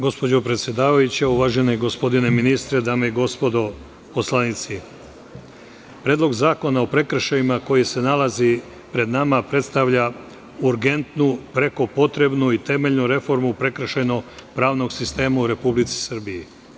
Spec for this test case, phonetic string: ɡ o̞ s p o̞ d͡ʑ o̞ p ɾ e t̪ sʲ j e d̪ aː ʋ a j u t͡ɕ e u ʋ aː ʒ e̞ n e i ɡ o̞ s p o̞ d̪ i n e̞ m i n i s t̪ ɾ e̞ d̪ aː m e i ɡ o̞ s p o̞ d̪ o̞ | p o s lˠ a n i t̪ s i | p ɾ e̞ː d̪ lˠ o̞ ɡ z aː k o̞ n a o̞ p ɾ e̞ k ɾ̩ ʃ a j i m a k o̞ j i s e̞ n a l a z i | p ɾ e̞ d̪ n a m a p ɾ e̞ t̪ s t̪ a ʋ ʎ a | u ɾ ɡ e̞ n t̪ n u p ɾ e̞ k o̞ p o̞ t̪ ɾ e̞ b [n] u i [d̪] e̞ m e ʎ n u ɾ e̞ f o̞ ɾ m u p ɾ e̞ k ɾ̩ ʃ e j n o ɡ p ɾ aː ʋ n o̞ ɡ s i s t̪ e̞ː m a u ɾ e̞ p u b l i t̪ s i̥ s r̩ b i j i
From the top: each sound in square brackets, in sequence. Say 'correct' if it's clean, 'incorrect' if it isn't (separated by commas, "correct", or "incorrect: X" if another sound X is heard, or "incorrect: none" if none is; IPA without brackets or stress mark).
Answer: correct, incorrect: t̪